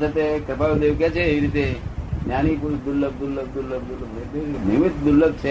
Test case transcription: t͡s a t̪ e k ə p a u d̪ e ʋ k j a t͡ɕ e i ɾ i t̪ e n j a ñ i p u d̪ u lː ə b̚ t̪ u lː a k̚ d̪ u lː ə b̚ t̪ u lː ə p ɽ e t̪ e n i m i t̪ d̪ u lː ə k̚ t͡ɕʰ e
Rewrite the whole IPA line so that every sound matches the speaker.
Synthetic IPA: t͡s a t̪ e k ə p a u d̪ e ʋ k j a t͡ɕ e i ɾ i t̪ e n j a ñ i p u d̪ u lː ə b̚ d̪ u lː ə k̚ d̪ u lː ə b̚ d̪ u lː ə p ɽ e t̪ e n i m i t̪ d̪ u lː ə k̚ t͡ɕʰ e